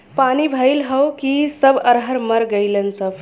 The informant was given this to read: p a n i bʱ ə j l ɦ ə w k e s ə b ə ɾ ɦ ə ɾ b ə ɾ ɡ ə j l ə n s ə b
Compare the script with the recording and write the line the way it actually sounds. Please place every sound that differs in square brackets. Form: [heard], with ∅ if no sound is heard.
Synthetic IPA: p a n i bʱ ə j l ɦ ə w k [i] s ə b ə ɾ ɦ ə ɾ [m] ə ɾ ɡ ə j l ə n s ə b